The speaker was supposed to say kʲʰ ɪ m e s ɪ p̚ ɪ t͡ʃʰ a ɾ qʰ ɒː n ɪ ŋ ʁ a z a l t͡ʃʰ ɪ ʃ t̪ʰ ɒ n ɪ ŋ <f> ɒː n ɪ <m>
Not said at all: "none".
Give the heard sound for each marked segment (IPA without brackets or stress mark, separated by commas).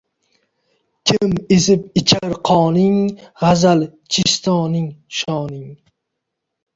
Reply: ʃ, ŋ